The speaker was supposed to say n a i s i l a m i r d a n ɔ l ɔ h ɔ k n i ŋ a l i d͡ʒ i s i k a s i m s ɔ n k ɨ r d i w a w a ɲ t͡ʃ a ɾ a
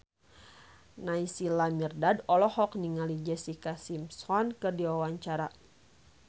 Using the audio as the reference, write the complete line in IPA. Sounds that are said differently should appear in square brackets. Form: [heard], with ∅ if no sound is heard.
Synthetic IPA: n a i s i l a m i r d a [d] ɔ l ɔ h ɔ k n i ŋ a l i d͡ʒ [ɛ] s i k a s i m s ɔ n k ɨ r d i w a w a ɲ t͡ʃ a ɾ a